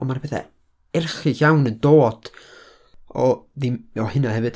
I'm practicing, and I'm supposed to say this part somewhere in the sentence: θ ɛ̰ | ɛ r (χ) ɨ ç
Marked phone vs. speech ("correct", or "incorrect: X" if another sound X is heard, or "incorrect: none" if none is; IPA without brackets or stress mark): correct